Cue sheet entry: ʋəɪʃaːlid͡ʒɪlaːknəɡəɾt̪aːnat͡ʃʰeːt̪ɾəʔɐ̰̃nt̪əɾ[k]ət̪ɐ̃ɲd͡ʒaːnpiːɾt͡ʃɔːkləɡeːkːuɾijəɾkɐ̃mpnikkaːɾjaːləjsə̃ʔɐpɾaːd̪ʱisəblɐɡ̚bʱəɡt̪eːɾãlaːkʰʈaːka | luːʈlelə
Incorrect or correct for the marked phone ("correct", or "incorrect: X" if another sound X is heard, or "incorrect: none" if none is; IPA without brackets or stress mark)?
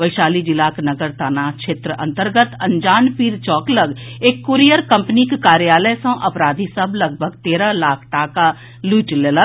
incorrect: ɡ